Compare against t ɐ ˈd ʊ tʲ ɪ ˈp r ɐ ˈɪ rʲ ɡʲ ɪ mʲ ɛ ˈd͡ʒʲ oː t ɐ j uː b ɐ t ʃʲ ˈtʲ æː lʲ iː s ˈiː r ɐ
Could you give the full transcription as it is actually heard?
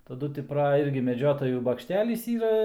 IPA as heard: t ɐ ˈd ʊ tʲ ɪ ˈp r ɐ ˈɪ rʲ ɡʲ ɪ mʲ ɛ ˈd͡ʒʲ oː t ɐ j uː b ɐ k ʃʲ ˈtʲ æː lʲ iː s ˈiː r ɐ